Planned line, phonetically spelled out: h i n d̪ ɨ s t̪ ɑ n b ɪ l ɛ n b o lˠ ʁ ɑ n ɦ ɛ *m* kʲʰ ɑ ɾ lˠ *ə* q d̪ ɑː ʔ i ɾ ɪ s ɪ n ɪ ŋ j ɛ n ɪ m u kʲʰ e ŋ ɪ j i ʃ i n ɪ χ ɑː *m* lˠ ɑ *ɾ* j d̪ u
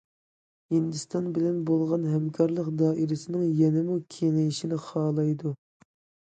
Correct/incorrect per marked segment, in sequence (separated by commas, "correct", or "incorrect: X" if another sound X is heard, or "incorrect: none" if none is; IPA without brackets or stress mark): correct, correct, incorrect: none, incorrect: none